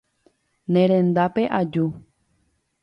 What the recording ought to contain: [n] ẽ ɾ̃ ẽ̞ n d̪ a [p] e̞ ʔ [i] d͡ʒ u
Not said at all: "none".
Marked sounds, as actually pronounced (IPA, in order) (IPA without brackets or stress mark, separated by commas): n, p, a